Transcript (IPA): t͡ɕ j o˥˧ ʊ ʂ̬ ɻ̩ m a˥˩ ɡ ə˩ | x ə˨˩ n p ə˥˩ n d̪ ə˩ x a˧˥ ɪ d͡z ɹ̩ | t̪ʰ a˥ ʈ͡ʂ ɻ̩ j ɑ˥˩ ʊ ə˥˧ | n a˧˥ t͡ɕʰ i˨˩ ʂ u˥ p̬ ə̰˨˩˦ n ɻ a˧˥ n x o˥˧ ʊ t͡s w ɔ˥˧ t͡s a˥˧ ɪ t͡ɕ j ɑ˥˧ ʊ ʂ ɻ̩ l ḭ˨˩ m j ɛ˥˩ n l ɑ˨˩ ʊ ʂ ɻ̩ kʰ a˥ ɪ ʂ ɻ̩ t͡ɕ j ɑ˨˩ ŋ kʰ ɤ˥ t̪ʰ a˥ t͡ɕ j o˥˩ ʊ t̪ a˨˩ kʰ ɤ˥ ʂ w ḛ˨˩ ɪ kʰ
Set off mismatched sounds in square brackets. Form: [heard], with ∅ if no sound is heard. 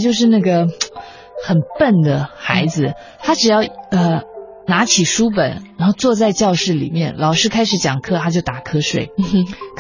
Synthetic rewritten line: t͡ɕ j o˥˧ ʊ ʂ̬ ɻ̩ [n] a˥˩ ɡ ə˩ | x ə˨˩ n p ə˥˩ n d̪ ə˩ x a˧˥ ɪ d͡z ɹ̩ | t̪ʰ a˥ ʈ͡ʂ ɻ̩ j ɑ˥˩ ʊ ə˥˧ | n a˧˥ t͡ɕʰ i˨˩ ʂ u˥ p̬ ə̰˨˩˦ n ɻ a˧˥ n x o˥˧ ʊ t͡s w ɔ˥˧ t͡s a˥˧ ɪ t͡ɕ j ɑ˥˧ ʊ ʂ ɻ̩ l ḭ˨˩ m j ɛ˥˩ n l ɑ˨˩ ʊ ʂ ɻ̩ kʰ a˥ ɪ ʂ ɻ̩ t͡ɕ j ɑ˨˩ ŋ kʰ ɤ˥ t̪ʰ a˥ t͡ɕ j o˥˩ ʊ t̪ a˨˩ kʰ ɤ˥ ʂ w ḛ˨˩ ɪ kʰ